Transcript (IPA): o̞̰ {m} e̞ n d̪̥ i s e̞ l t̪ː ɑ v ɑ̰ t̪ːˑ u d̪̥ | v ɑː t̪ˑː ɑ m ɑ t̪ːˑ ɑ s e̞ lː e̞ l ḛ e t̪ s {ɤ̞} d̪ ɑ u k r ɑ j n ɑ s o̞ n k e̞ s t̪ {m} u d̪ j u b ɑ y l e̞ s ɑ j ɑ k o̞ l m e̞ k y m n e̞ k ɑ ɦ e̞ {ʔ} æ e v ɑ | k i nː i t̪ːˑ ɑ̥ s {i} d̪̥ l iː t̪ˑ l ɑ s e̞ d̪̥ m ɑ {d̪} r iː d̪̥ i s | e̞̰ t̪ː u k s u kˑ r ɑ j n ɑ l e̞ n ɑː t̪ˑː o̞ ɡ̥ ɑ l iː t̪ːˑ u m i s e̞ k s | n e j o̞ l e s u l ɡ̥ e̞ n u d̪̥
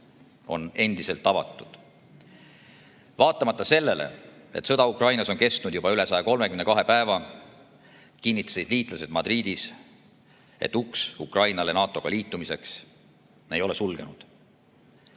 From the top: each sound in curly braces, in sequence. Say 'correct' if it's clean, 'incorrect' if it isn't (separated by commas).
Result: incorrect, correct, incorrect, incorrect, correct, correct